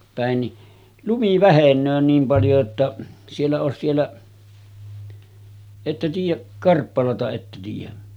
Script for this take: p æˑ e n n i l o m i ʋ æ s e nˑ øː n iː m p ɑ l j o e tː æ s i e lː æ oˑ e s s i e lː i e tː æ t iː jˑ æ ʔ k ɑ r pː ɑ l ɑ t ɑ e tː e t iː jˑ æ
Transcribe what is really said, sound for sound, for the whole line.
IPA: p æˑ e n n i l u m i ʋ æ h e nˑ øː n iː m p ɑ l j o e tː æ s i e lː æ oˑ e s s i e lː æ e tː æ t iː jˑ æ ʔ k ɑ r pː ɑ l ɑ t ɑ e tː æ t iː jˑ æ